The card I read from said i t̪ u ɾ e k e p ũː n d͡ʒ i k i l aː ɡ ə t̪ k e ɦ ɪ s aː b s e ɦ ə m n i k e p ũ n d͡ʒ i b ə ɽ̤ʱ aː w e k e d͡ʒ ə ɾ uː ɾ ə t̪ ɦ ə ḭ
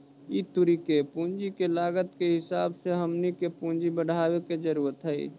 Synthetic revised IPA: i t̪ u ɾ i k e p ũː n d͡ʒ i k e l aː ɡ ə t̪ k e ɦ ɪ s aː b s e ɦ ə m n i k e p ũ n d͡ʒ i b ə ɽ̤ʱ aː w e k e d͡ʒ ə ɾ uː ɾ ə t̪ ɦ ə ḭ